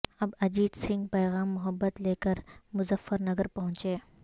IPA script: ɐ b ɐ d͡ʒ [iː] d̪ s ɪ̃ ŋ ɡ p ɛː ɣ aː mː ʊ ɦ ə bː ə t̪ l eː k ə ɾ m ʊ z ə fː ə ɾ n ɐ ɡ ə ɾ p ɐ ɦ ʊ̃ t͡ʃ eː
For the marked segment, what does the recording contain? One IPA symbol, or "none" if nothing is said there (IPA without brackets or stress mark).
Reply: iː